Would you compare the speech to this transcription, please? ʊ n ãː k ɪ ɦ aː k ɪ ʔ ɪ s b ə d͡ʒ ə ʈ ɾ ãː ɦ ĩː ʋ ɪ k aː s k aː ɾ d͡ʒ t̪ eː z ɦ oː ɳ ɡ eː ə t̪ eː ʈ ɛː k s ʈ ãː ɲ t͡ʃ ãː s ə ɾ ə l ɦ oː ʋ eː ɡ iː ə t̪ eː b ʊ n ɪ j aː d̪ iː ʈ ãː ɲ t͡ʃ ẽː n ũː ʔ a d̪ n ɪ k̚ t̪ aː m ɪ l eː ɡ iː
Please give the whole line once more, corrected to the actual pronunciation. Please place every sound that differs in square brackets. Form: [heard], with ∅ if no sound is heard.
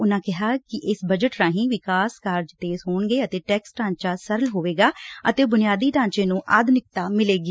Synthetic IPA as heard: ʊ n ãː k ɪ ɦ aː k ɪ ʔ ɪ s b ə d͡ʒ ə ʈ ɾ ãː ɦ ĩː ʋ ɪ k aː s k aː ɾ d͡ʒ t̪ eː z ɦ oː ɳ ɡ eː ə t̪ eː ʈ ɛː k s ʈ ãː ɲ t͡ʃ [aː] s ə ɾ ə l ɦ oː ʋ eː ɡ [aː] ə t̪ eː b ʊ n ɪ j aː d̪ iː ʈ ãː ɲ t͡ʃ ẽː n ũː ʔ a d̪ n ɪ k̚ t̪ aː m ɪ l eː ɡ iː